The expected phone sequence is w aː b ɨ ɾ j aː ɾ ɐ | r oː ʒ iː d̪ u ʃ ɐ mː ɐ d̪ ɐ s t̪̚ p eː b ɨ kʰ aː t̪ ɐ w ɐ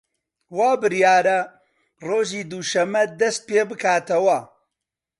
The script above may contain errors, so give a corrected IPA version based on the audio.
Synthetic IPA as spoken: w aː b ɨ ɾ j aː ɾ ɐ | r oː ʒ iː d̪ u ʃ ɐ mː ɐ d̪ ɐ s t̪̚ p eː b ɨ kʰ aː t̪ ɐ w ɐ